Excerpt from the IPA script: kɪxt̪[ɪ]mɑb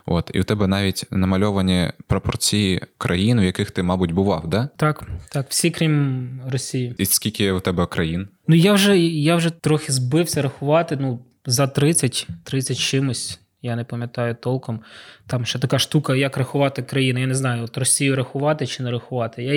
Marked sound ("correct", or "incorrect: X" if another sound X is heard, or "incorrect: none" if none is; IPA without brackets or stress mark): correct